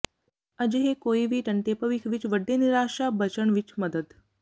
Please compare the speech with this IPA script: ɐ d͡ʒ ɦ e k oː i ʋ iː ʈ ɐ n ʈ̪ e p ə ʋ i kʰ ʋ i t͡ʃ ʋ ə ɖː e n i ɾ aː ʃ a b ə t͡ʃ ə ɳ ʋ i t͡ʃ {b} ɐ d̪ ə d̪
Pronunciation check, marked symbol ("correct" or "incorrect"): incorrect